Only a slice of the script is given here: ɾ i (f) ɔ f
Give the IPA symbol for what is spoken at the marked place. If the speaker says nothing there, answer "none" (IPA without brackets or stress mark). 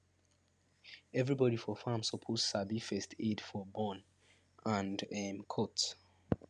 f